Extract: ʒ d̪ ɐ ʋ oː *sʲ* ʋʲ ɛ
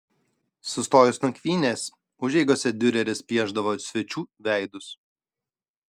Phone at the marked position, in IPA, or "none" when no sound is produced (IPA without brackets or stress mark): sʲ